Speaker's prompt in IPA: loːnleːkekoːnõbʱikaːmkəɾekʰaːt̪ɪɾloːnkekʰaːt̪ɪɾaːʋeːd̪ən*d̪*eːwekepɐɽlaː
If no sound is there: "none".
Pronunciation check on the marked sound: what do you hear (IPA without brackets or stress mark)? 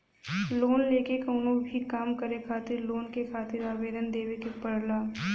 d̪